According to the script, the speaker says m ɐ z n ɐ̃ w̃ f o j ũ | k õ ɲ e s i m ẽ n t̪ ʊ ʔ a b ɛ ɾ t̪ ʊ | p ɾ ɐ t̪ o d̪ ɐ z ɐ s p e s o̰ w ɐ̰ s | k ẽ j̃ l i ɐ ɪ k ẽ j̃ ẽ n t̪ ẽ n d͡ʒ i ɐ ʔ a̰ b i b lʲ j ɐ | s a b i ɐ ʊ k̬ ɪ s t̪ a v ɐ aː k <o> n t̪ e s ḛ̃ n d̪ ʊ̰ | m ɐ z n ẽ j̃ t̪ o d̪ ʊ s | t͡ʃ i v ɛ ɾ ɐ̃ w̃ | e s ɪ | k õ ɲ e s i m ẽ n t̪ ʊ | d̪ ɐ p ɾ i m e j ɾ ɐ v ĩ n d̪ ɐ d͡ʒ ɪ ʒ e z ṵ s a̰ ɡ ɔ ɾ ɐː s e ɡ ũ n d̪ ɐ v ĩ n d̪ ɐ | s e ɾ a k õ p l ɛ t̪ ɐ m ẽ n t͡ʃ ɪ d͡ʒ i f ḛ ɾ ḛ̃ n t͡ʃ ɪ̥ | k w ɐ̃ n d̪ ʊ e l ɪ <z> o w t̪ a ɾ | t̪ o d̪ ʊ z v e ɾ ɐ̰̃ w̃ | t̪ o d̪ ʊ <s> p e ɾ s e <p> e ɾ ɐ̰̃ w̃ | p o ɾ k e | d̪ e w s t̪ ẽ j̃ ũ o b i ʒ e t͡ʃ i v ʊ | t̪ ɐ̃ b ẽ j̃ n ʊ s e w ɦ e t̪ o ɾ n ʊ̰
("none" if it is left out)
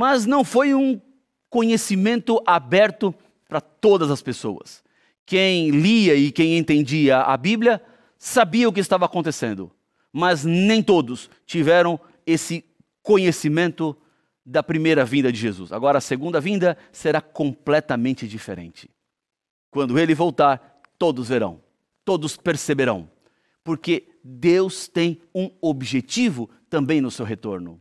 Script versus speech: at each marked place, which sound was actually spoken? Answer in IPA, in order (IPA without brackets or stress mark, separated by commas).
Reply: õ, v, s, b